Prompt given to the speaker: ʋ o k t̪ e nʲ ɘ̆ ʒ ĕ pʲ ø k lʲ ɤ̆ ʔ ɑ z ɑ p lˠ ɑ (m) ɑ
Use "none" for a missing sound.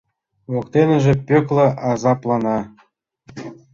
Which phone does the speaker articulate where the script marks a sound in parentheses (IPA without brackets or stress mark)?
n